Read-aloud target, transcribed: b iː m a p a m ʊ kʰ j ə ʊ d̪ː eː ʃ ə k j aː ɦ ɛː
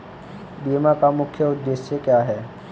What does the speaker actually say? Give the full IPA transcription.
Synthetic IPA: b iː m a k a m ʊ kʰ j ə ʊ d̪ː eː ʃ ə k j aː ɦ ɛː